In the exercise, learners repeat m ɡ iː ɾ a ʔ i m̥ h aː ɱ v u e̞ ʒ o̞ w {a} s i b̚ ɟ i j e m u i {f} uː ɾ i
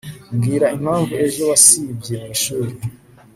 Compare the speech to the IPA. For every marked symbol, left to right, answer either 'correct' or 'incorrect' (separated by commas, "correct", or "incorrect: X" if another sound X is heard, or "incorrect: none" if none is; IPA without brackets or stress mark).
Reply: correct, incorrect: ʃ